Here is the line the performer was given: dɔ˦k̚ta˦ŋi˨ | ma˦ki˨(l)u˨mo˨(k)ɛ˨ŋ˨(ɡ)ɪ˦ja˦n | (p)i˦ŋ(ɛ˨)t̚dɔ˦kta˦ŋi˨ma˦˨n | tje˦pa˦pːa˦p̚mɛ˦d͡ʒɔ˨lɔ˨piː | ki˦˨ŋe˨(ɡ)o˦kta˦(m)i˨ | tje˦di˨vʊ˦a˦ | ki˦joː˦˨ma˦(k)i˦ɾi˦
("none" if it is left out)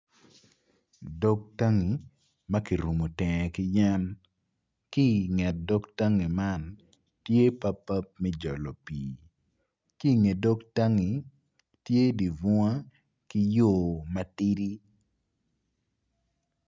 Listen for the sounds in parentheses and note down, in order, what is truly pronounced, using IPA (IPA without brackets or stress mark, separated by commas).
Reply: ɾ, t, k, k, ɛ˨, d, ŋ, t